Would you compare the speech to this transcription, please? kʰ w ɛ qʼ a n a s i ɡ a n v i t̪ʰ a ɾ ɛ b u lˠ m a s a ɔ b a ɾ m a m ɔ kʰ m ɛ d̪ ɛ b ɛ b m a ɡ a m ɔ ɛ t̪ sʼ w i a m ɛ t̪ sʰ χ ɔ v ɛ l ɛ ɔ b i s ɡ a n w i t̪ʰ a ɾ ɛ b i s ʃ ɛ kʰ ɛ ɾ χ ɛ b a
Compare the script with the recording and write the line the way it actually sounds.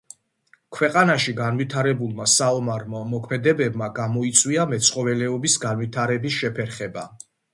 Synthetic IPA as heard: kʰ w ɛ qʼ a n a ʃ i ɡ a n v i t̪ʰ a ɾ ɛ b u lˠ m a s a ɔ m a ɾ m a m ɔ kʰ m ɛ d̪ ɛ b ɛ b m a ɡ a m ɔ i t̪ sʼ w i a m ɛ t̪ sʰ χ ɔ v ɛ l ɛ ɔ b i s ɡ a n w i t̪ʰ a ɾ ɛ b i s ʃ ɛ pʰ ɛ ɾ χ ɛ b a

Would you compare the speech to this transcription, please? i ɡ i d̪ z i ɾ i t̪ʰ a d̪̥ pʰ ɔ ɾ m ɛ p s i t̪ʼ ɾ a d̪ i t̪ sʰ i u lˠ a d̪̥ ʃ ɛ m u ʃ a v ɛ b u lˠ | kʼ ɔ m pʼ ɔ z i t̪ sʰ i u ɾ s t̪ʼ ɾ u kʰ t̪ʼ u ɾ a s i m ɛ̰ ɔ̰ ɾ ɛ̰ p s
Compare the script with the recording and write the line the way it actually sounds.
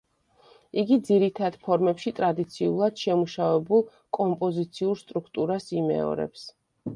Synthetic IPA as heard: i ɡ i d̪ z i ɾ i t̪ʰ a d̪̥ pʰ ɔ ɾ m ɛ p ʃ i t̪ʼ ɾ a d̪ i t̪ sʰ i u lˠ a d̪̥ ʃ ɛ m u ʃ a v ɛ b u lˠ | kʼ ɔ m pʼ ɔ z i t̪ sʰ i u ɾ s t̪ʼ ɾ u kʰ t̪ʼ u ɾ a s i m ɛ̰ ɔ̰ ɾ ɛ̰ p s

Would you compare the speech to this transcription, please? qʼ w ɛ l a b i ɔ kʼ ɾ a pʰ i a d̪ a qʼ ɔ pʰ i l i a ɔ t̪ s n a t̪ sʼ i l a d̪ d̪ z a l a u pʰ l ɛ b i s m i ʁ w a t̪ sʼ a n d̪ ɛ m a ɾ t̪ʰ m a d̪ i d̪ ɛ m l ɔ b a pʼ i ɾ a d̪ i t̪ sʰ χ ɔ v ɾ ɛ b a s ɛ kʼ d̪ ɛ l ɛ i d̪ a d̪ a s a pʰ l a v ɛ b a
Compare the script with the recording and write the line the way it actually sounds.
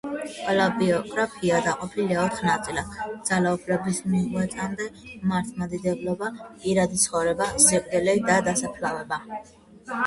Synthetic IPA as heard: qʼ w ɛ l a b i ɔ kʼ ɾ a pʰ i a d̪ a qʼ ɔ pʰ i l i a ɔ t̪ χ n a t̪ sʼ i l a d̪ d̪ z a l a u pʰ l ɛ b i s m i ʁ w ɛ t̪ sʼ a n d̪ ɛ m a ɾ t̪ʰ m a d̪ i d̪ ɛ b l ɔ b a pʼ i ɾ a d̪ i t̪ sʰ χ ɔ v ɾ ɛ b a z ɛ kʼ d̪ ɛ l ɛ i d̪ a d̪ a s a pʰ l a v ɛ b a

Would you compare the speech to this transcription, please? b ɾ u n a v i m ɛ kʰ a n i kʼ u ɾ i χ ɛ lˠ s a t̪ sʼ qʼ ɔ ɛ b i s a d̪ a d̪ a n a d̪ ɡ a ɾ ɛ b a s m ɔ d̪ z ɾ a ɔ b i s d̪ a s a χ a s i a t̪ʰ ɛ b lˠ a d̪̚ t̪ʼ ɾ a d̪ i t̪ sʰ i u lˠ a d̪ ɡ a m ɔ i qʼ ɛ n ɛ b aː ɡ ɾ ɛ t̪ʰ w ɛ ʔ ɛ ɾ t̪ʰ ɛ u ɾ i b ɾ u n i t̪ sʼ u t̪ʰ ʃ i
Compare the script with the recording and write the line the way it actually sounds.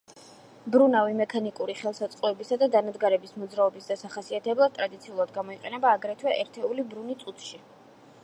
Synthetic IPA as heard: b ɾ u n a v i m ɛ kʰ a n i kʼ u ɾ i χ ɛ lˠ s a t̪ sʼ qʼ ɔ ɛ b i s a d̪ a d̪ a n a d̪ ɡ a ɾ ɛ b i s m ɔ d̪ z ɾ a ɔ b i s d̪ a s a χ a s i a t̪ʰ ɛ b lˠ a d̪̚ t̪ʼ ɾ a d̪ i t̪ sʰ i u lˠ a d̪ ɡ a m ɔ i qʼ ɛ n ɛ b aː ɡ ɾ ɛ t̪ʰ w ɛ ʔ ɛ ɾ t̪ʰ ɛ u l i b ɾ u n i t̪ sʼ u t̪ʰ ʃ i

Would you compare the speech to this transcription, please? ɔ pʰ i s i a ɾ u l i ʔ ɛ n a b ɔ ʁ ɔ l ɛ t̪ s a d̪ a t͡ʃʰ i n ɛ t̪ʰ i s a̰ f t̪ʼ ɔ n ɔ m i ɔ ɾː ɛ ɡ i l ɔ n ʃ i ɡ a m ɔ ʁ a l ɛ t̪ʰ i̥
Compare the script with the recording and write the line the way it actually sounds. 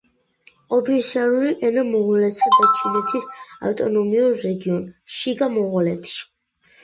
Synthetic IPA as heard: ɔ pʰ i s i a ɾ u l i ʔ ɛ n a m ɔ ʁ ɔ l ɛ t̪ s a d̪ a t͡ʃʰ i n ɛ t̪ʰ i s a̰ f t̪ʼ ɔ n ɔ m i u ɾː ɛ ɡ i ɔ n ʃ i ɡ a m ɔ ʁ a l ɛ t̪ʰ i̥

